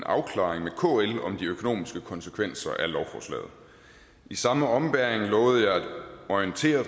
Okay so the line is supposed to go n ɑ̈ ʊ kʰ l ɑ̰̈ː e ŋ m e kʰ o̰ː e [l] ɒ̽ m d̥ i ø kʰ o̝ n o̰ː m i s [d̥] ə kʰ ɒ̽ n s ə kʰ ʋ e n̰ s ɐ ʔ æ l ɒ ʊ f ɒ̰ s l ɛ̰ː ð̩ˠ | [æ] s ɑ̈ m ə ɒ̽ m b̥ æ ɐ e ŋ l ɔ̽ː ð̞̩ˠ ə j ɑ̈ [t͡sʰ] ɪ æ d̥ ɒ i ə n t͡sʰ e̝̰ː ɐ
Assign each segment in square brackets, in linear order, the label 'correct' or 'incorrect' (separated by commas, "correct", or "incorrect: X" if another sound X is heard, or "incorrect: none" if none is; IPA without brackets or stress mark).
correct, incorrect: ɡ̥, incorrect: i, incorrect: none